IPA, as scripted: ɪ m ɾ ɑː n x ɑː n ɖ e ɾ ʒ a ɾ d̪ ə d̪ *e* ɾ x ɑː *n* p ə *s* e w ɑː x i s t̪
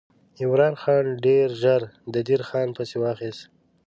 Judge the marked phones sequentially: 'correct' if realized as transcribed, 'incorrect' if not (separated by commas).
incorrect, correct, correct